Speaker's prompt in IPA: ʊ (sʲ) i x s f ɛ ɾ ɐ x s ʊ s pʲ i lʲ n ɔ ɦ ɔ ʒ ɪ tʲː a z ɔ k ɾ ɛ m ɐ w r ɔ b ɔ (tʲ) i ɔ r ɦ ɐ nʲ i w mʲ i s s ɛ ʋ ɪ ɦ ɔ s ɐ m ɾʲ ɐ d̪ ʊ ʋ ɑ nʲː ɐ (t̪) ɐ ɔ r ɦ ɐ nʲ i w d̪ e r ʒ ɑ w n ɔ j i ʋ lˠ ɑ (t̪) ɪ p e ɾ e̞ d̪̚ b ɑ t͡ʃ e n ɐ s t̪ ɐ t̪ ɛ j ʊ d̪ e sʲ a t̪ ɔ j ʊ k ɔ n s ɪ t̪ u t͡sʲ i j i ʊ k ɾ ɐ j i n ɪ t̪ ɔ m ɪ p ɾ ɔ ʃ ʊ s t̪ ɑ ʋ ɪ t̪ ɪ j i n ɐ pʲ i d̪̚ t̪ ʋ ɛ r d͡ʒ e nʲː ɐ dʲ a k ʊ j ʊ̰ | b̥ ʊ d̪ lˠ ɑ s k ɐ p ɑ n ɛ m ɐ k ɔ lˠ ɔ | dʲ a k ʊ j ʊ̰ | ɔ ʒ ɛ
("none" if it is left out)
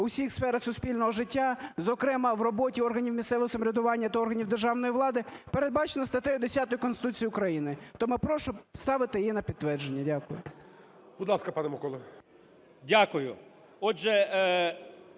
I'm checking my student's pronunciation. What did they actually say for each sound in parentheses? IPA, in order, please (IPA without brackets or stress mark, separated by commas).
sʲ, tʲ, t̪, d̪